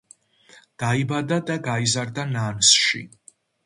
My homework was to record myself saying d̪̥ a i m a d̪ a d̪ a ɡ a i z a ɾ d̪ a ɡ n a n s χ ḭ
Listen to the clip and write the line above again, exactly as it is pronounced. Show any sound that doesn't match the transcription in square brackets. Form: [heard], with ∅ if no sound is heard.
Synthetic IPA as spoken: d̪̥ a i [b] a d̪ a d̪ a ɡ a i z a ɾ d̪ a [∅] n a n s [ʃ] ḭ